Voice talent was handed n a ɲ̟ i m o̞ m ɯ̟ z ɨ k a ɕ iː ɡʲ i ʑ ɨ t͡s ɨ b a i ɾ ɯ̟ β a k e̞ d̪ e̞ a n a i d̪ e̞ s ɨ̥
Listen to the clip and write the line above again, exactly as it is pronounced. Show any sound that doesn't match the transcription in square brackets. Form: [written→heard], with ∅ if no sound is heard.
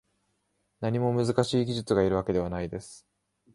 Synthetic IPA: n a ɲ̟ i m o̞ m ɯ̟ z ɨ k a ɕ iː ɡʲ i ʑ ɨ t͡s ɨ [b→ɡ] a i ɾ ɯ̟ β a k e̞ d̪ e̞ a n a i d̪ e̞ s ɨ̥